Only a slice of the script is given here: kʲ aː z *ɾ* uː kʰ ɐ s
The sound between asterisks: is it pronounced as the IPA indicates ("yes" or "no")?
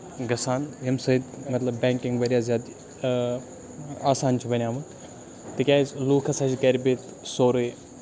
no